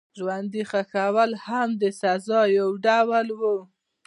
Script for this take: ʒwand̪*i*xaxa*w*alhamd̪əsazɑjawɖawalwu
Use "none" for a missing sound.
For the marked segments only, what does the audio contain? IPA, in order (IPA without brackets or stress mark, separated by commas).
i, w